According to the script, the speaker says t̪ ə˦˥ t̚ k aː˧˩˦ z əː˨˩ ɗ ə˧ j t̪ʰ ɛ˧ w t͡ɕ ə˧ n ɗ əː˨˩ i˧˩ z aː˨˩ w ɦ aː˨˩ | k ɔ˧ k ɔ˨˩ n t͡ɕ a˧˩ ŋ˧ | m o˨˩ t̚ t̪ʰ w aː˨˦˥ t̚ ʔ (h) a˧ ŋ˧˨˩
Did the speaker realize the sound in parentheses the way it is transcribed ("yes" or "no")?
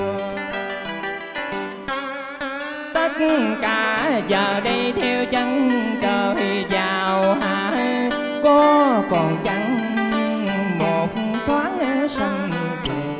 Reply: no